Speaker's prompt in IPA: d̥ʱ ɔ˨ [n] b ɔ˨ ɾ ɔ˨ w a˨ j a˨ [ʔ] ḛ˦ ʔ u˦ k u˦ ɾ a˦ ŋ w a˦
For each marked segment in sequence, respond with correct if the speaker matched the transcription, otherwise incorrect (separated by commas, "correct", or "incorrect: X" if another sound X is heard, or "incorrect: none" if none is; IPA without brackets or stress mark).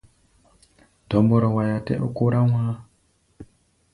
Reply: incorrect: m, incorrect: t